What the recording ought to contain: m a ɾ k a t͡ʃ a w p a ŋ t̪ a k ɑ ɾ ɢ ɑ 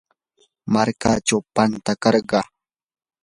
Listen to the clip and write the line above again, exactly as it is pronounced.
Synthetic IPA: m a ɾ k a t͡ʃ a w p a n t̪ a k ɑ ɾ ɢ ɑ

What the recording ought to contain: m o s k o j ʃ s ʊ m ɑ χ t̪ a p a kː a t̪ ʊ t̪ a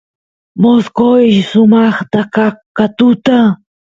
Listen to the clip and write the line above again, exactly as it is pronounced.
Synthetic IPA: m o s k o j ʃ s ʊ m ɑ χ t̪ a k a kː a t̪ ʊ t̪ a

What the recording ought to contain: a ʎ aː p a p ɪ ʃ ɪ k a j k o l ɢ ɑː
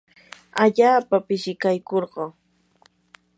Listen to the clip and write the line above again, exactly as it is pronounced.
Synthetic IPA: a ʎ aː p a p ɪ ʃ ɪ k a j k o ɾ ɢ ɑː

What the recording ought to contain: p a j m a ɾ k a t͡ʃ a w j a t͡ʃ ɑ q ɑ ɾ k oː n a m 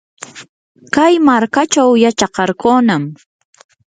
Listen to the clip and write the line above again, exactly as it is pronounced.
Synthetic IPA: k a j m a ɾ k a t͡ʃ a w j a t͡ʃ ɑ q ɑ ɾ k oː n a m

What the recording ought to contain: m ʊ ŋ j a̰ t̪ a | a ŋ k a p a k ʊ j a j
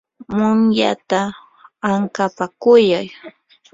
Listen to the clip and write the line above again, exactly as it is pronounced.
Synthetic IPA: m ʊ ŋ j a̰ t̪ a | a ŋ k a p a k ʊ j a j

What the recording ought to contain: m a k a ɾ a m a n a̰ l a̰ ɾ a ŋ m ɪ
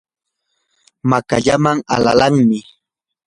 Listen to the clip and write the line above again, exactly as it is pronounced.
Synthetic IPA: m a k a ʎ a m a ŋ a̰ l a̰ l a ŋ m ɪ

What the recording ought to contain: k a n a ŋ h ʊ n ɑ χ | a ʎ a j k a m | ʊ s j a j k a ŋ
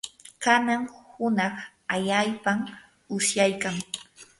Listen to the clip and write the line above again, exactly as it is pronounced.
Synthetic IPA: k a n a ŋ h ʊ n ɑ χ | a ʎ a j p a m | ʊ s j a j k a ŋ

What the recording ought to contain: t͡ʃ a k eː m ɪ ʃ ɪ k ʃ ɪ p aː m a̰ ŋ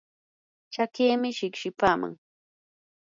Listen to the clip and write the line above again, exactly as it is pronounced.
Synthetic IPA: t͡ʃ a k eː m ɪ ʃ ɪ k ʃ ɪ p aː m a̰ ŋ

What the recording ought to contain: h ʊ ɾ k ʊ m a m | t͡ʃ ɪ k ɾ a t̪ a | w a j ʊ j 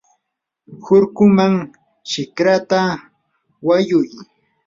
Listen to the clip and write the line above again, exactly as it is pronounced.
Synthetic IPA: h ʊ ɾ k ʊ m a ŋ | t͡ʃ ɪ k ɾ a t̪ a | w a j ʊ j

